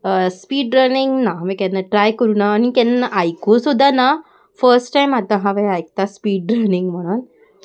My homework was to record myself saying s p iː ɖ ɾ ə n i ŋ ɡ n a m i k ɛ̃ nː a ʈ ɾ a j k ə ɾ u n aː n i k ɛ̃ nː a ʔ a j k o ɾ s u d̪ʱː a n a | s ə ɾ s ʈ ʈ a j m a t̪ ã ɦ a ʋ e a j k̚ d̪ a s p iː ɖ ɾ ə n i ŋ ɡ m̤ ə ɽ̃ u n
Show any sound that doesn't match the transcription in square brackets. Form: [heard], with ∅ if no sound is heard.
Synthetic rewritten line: s p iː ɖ ɾ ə n i ŋ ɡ n a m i k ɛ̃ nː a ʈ ɾ a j k ə ɾ u n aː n i k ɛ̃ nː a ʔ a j k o [∅] s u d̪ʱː a n a | [f] ə ɾ s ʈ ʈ a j m a t̪ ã ɦ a ʋ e a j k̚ [t̪] a s p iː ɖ ɾ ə n i ŋ ɡ m̤ ə ɽ̃ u n